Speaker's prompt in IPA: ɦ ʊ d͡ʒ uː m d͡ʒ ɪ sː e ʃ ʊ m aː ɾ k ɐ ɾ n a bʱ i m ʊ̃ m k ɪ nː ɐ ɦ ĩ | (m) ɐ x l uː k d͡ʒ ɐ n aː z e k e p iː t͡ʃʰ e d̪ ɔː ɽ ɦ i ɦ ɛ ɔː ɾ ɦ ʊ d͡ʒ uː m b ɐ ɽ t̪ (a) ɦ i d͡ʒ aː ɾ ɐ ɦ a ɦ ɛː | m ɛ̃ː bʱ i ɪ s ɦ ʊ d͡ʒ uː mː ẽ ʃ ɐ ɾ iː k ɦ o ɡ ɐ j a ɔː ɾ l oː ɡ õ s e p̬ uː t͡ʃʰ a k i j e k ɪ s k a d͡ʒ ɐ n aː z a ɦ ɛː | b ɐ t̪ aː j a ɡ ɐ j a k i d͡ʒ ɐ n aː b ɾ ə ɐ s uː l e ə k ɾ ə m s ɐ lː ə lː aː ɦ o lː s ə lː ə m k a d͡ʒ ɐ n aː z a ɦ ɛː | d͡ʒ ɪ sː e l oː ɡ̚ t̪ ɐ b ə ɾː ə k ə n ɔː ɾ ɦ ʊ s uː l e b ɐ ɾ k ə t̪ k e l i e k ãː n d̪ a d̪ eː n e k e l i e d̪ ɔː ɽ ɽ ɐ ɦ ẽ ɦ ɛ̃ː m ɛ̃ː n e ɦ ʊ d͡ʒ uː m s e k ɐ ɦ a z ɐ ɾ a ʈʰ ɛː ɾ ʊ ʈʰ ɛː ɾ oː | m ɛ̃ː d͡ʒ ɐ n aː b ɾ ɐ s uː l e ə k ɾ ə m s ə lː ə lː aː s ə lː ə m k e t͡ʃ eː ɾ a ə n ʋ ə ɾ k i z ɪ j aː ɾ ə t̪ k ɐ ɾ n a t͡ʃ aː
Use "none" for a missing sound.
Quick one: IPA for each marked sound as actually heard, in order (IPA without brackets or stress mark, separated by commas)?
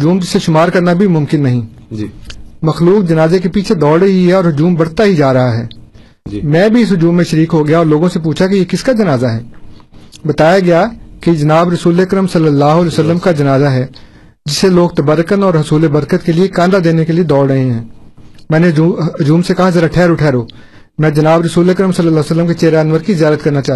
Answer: m, a